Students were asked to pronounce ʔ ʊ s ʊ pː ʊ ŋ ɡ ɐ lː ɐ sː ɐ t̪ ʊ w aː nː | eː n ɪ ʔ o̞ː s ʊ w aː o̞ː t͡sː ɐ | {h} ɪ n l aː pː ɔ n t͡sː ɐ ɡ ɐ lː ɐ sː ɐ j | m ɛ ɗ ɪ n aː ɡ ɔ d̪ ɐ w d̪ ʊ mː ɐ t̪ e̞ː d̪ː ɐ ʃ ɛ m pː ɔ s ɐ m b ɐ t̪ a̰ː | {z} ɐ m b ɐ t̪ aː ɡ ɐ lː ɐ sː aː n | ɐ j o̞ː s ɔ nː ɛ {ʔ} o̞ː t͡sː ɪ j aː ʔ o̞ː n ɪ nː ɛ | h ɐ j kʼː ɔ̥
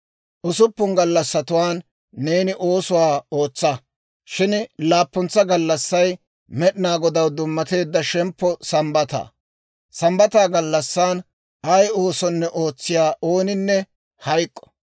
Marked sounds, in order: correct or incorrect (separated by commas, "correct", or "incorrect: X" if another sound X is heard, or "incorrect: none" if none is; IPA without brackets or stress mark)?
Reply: incorrect: ʃ, incorrect: s, correct